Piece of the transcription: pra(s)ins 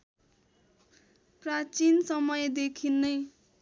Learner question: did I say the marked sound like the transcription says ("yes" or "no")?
no